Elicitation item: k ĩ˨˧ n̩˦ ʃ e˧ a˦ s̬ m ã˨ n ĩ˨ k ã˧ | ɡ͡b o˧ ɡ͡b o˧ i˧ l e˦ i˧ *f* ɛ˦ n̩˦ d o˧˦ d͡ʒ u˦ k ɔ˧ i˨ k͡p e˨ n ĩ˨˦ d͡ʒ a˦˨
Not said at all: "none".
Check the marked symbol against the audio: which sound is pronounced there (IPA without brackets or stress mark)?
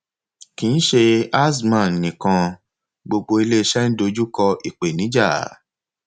ʃ